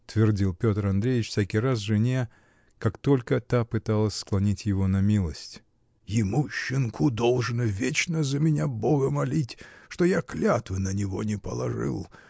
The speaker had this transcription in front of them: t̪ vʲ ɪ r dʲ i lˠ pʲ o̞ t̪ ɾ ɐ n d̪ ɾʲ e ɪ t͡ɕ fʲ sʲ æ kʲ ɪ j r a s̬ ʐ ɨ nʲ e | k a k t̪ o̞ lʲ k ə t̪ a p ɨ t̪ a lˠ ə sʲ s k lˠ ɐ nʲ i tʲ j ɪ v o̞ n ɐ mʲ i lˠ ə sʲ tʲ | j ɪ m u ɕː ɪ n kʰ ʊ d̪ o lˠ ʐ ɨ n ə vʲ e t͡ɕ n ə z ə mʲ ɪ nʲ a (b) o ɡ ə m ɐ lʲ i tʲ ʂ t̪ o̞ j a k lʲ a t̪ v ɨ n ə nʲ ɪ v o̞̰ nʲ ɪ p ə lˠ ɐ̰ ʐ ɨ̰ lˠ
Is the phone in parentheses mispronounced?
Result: no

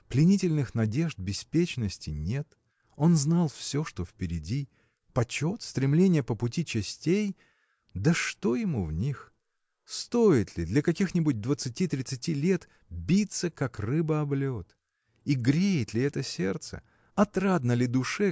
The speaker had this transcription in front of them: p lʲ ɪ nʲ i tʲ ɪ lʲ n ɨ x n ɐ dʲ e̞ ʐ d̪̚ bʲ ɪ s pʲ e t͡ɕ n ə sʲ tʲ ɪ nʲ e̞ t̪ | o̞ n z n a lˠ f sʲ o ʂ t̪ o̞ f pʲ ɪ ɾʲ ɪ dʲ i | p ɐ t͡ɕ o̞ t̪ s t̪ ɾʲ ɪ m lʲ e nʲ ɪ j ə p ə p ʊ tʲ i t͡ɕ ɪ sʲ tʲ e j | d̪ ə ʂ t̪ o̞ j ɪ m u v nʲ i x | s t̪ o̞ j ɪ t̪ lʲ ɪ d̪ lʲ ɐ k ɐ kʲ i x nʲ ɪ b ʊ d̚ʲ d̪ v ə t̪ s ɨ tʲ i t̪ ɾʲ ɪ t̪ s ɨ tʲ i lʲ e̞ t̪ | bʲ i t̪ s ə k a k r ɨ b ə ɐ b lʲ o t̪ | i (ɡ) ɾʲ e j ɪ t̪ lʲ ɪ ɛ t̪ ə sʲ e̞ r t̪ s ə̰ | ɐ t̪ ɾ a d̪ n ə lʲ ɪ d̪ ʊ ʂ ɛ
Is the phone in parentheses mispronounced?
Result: no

